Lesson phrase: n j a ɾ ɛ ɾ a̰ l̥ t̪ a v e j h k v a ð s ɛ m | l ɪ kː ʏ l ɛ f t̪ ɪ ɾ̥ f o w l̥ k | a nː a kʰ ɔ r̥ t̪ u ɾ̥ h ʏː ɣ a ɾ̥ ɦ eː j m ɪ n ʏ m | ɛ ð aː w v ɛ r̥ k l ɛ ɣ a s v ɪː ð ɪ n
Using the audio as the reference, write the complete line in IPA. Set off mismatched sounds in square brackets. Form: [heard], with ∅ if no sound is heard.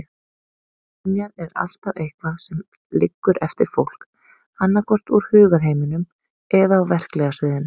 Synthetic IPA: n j a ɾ ɛ ɾ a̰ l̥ t̪ a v e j h k v a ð s ɛ m | l ɪ kː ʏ [ɾ] ɛ f t̪ ɪ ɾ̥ f o w l̥ k | a nː a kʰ ɔ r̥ t̪ u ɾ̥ h ʏː ɣ a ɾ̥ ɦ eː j m ɪ n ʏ m | ɛ ð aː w v ɛ r̥ k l ɛ ɣ a s v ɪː ð ɪ n